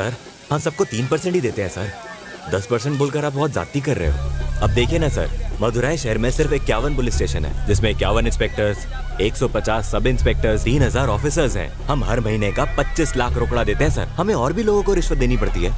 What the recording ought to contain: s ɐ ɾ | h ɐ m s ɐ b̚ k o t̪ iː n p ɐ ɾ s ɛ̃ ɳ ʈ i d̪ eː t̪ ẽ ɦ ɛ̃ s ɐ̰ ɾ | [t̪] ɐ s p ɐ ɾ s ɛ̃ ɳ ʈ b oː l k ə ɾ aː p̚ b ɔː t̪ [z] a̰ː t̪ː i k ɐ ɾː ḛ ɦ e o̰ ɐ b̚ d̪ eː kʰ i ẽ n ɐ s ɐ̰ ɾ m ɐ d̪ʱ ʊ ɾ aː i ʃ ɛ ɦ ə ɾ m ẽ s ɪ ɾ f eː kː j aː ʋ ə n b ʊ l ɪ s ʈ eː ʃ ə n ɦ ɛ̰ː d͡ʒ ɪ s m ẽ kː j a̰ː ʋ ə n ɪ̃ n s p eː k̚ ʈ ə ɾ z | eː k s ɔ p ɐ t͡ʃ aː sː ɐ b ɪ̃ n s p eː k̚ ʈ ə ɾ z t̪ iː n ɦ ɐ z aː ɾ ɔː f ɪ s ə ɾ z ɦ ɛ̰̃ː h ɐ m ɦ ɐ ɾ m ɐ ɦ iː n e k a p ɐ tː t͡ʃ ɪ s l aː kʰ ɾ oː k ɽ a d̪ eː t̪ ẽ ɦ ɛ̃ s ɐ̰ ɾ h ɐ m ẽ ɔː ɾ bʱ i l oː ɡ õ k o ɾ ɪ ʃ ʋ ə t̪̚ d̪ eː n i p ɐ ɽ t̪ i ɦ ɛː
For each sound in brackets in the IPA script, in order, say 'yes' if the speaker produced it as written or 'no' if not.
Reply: no, yes

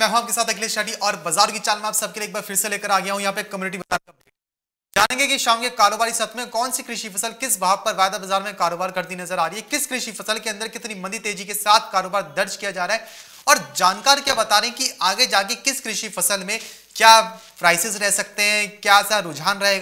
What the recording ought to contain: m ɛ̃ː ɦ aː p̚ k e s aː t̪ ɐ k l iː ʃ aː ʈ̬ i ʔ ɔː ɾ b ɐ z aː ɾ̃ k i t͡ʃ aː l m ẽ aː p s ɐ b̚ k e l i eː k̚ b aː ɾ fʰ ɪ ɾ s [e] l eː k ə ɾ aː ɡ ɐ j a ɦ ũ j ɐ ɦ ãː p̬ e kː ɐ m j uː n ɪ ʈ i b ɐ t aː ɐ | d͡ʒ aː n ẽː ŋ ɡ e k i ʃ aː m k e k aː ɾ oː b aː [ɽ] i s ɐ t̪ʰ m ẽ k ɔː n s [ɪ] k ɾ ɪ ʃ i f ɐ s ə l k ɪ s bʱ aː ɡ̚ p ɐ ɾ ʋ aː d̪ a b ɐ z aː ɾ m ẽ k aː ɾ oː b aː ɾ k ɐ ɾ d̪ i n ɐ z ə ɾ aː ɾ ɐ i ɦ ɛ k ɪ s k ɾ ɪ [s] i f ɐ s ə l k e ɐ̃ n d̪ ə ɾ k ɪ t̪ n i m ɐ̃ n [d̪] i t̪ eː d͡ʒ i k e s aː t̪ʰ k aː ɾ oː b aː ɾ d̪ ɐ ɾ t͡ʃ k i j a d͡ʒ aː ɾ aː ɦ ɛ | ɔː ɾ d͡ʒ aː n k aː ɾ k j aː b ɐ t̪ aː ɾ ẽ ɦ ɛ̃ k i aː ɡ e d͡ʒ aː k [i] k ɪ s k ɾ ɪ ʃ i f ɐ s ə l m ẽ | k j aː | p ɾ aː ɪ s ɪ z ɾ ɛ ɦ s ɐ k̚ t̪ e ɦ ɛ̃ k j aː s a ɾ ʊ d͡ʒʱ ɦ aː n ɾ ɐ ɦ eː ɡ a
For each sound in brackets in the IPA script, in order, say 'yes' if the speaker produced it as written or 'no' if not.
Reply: yes, no, no, no, yes, no

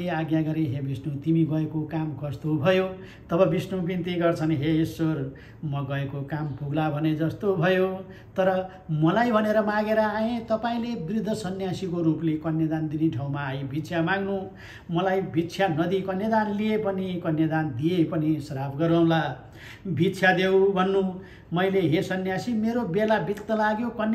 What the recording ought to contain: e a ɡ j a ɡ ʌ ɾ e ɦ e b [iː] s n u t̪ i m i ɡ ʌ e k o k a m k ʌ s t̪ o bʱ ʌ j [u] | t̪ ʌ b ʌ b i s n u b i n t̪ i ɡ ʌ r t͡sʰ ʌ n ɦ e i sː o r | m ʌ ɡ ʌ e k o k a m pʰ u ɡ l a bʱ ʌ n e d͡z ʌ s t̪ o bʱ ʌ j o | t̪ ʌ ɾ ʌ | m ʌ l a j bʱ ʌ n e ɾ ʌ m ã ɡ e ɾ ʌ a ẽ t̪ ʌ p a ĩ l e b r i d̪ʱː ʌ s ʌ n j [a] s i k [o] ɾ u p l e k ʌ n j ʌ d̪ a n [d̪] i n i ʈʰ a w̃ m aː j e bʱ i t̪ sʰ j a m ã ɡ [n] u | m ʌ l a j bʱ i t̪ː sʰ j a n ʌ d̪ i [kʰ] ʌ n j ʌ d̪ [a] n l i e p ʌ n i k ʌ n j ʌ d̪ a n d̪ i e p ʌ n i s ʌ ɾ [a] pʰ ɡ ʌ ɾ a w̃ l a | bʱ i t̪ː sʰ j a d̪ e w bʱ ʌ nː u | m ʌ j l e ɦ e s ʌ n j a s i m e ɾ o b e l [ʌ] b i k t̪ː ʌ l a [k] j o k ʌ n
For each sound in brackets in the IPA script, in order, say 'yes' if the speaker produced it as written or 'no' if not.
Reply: no, no, yes, yes, yes, yes, no, yes, yes, no, no

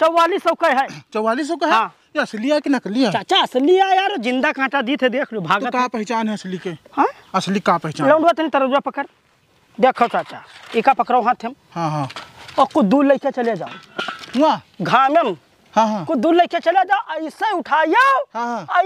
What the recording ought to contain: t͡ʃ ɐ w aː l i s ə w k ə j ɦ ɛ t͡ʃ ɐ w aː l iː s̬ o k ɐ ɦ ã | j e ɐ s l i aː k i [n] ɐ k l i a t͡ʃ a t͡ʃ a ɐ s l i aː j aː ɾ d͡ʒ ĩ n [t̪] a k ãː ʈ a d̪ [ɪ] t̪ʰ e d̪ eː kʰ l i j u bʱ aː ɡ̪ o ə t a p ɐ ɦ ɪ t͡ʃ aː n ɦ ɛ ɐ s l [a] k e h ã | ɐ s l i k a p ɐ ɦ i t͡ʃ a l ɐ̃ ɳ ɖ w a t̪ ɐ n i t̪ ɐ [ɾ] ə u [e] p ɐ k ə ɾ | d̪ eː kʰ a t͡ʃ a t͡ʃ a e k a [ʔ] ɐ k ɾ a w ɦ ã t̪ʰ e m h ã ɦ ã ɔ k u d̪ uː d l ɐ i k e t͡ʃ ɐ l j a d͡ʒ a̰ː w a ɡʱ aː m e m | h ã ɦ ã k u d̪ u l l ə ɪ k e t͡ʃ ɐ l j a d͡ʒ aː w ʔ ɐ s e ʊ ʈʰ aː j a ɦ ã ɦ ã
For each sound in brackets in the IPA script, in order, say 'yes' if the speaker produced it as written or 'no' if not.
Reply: yes, no, no, no, yes, no, no

